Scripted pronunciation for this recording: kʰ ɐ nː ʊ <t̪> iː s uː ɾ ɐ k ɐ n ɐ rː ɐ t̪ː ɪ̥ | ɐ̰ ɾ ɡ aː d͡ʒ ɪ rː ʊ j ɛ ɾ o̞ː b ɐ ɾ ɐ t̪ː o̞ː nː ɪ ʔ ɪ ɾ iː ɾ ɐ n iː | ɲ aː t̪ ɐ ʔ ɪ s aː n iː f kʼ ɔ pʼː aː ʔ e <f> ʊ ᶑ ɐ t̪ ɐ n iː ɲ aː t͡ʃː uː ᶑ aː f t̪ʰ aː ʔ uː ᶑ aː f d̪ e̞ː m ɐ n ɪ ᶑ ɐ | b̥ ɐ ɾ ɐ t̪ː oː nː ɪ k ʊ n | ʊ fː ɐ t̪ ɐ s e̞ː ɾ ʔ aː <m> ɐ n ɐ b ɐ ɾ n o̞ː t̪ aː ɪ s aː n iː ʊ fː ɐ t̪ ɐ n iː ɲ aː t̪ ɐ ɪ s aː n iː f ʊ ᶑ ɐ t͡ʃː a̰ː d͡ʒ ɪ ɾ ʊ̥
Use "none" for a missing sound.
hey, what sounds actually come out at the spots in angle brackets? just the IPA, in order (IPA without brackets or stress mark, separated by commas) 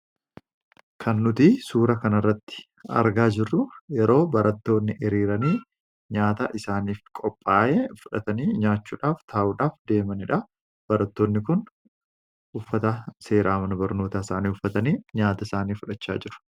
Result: t̪, f, m